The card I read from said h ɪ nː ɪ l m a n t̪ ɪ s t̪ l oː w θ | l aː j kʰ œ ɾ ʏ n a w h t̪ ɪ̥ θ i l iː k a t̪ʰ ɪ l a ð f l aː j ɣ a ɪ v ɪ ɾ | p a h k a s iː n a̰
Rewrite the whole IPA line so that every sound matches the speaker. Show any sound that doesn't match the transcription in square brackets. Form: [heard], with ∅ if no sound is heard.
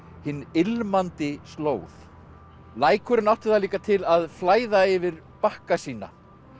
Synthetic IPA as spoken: h ɪ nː ɪ l m a n t̪ ɪ s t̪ l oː w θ | l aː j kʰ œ ɾ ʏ n a w h t̪ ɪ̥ θ [a] l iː k a t̪ʰ ɪ l a ð f l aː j [ð] a ɪ v ɪ ɾ | p a h k a s iː n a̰

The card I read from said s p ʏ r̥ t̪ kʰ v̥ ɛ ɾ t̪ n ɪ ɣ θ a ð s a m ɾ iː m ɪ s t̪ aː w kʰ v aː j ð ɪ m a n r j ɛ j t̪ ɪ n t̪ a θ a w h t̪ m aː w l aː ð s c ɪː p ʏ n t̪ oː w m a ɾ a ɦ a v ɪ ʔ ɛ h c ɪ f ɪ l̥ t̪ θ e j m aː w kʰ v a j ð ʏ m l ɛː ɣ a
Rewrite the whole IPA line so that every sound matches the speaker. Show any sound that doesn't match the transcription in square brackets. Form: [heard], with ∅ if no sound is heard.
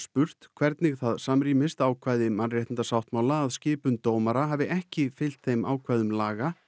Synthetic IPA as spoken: s p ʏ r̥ t̪ kʰ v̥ ɛ ɾ t̪ n ɪ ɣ θ a ð s a m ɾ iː m ɪ s t̪ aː w kʰ v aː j ð ɪ m a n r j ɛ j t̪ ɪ n t̪ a [s] a w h t̪ m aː w l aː ð s c ɪː p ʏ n t̪ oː w m a ɾ a ɦ a v ɪ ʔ ɛ h c ɪ f ɪ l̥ t̪ θ e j m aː w kʰ v a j ð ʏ m l [aː] ɣ a

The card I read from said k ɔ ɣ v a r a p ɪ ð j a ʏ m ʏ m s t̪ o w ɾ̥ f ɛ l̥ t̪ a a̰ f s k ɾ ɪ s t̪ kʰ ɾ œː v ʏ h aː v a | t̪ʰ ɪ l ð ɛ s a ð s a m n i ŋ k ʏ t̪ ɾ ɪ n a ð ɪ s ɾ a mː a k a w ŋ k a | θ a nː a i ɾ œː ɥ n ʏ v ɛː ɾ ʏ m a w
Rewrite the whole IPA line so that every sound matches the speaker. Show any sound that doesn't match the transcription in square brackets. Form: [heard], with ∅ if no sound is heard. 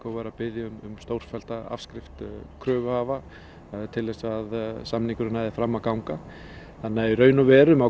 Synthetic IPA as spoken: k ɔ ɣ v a [ɾ] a p ɪ ð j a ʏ m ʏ m s t̪ o w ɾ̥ f ɛ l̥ t̪ a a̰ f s k ɾ ɪ [f] t̪ kʰ ɾ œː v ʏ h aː v a | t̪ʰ ɪ l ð ɛ s a ð s a m n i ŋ k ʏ [∅] ɾ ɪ n a ð ɪ [f] ɾ a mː a k a w ŋ k a | θ a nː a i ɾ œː ɥ n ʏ v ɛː ɾ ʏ m a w

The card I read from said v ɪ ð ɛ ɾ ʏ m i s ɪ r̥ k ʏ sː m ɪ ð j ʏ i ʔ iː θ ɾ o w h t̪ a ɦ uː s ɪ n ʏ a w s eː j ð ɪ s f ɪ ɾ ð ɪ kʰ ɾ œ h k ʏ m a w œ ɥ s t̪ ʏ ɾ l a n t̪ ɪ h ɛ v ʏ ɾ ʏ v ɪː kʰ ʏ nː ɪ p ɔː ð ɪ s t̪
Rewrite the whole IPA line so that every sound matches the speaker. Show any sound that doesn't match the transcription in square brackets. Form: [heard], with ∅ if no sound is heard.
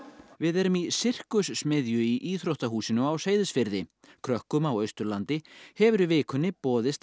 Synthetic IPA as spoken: v ɪ ð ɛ ɾ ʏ m i s ɪ r̥ k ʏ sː m ɪ ð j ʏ i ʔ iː θ ɾ o w h t̪ a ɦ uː s ɪ n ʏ a w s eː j ð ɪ s f ɪ ɾ ð ɪ kʰ ɾ œ h k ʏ m a w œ ɥ s t̪ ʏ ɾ l a n t̪ ɪ h ɛ v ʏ ɾ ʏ v ɪː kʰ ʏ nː ɪ p ɔː ð ɪ s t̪

